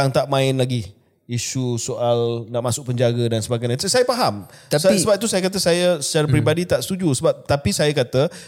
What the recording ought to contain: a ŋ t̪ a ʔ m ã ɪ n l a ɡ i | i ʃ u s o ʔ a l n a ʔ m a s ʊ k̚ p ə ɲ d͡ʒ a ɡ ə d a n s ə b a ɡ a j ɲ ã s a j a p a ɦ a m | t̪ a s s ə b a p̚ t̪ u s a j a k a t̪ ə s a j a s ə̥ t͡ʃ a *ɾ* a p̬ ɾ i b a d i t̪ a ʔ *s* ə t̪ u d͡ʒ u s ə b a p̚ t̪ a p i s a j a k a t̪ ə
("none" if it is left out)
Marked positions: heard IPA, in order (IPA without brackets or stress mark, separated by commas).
ɾ, s